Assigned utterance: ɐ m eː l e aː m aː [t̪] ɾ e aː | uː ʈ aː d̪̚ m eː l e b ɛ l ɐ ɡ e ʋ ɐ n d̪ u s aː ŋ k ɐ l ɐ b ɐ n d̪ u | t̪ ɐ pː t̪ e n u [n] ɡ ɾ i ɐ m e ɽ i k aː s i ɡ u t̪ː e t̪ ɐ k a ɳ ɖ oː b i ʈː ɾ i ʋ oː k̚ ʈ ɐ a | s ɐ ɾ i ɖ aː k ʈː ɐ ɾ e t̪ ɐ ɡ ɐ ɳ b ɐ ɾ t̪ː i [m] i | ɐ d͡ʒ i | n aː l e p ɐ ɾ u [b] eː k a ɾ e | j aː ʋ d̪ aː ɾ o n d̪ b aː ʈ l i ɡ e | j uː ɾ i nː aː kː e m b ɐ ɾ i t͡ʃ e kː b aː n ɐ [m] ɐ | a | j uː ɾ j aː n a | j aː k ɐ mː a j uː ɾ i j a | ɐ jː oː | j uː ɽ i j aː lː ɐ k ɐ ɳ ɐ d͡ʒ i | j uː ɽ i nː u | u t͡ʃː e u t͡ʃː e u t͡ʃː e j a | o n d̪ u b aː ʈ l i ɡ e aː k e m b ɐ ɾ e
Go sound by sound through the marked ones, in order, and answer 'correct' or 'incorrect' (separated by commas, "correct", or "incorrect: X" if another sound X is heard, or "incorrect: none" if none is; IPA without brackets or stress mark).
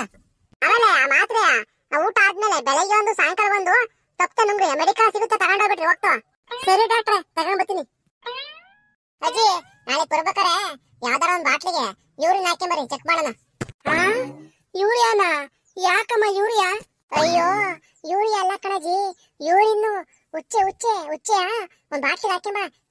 correct, incorrect: ŋ, incorrect: n, correct, incorrect: n